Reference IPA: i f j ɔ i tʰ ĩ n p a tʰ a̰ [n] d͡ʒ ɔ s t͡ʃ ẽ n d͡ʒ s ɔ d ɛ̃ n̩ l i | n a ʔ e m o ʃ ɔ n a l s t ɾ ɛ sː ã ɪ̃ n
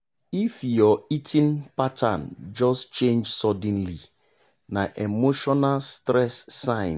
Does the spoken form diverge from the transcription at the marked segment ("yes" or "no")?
no